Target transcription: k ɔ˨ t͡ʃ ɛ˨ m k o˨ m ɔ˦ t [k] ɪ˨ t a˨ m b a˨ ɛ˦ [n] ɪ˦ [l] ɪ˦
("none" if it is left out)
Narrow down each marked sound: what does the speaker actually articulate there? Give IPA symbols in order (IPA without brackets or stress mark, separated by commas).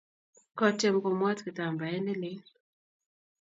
k, n, l